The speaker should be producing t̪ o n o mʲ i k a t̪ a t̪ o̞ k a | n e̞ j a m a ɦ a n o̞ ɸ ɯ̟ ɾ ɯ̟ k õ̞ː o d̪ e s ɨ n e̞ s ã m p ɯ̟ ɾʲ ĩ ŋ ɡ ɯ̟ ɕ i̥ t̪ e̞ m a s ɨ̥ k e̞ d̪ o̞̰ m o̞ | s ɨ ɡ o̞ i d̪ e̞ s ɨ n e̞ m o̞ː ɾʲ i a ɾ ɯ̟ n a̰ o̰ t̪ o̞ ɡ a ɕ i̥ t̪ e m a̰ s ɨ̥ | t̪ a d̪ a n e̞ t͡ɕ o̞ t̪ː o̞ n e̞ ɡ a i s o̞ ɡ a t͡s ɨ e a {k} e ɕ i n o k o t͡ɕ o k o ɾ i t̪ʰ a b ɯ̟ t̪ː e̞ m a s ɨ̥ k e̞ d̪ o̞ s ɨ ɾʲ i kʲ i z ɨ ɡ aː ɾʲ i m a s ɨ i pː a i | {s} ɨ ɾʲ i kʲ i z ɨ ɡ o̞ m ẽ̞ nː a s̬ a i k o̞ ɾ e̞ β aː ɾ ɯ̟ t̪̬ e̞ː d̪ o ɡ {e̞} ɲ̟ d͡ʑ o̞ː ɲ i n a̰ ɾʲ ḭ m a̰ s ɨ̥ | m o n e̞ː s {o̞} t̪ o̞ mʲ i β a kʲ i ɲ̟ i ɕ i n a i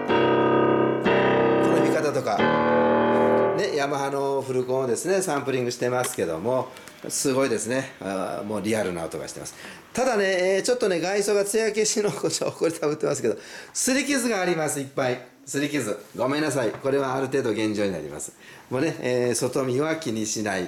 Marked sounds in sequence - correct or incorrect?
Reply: correct, correct, incorrect, correct

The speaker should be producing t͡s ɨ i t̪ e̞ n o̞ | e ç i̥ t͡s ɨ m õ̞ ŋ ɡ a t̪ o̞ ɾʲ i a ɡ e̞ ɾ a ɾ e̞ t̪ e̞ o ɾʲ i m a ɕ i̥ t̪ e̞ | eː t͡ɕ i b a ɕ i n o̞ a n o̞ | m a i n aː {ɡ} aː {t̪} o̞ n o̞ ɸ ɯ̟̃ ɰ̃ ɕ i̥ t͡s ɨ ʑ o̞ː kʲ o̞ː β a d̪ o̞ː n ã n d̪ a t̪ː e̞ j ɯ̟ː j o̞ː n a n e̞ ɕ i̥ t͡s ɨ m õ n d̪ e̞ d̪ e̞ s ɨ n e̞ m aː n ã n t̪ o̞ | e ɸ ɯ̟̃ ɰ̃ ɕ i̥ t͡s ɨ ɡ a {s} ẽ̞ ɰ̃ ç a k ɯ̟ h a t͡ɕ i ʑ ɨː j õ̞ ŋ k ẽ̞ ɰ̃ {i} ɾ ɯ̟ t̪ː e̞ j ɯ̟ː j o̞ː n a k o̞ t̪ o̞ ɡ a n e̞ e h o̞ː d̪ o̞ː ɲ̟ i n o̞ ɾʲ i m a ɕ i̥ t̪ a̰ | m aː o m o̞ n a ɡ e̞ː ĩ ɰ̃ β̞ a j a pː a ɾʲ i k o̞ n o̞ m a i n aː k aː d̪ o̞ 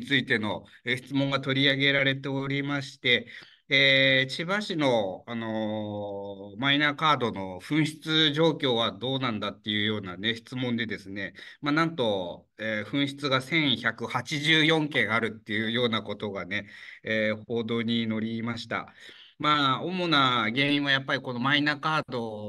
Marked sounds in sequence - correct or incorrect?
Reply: incorrect, incorrect, correct, incorrect

